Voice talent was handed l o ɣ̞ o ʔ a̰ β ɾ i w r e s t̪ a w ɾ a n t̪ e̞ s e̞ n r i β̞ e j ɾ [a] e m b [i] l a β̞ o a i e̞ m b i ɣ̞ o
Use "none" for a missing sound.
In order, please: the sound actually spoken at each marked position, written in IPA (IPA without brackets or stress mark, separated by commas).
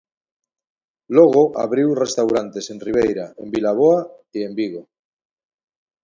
a, i